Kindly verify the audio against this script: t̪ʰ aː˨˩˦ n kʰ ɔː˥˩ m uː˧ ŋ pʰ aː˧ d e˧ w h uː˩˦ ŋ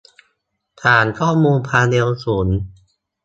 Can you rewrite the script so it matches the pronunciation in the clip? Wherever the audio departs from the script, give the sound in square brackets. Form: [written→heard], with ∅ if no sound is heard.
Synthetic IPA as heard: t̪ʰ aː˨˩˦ n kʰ ɔː˥˩ m uː˧ [ŋ→n] pʰ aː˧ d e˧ w [h→s] uː˩˦ [ŋ→n]